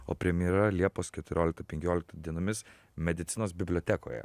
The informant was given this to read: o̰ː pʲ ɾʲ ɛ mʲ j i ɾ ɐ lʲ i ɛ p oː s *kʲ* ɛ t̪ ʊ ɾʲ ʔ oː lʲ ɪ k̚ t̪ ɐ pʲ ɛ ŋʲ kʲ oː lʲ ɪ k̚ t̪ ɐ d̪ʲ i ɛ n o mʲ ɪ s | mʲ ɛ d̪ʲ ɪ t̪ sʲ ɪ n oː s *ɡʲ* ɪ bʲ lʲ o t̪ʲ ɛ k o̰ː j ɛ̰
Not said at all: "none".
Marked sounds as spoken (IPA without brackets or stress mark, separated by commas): kʲ, bʲ